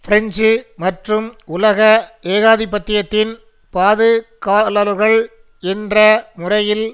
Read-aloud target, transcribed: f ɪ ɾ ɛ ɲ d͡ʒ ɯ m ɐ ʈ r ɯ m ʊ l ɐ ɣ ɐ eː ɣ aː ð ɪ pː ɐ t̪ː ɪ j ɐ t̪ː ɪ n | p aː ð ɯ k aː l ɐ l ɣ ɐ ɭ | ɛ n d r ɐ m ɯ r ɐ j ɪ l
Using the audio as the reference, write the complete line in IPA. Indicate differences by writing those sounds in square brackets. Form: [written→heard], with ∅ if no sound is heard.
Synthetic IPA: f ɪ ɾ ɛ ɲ d͡ʒ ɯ m ɐ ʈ r ɯ m ʊ l ɐ ɣ ɐ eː ɣ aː ð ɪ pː ɐ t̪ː ɪ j ɐ t̪ː ɪ n | p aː ð ɯ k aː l ɐ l ɣ ɐ ɭ | ɛ n d r ɐ m [ɯ→ʊ] r ɐ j ɪ l